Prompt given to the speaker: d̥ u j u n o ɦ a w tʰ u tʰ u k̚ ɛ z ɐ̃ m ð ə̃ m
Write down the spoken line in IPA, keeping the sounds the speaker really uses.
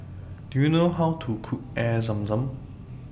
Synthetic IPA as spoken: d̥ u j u n o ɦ a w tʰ u kʰ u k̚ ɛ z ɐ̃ m z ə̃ m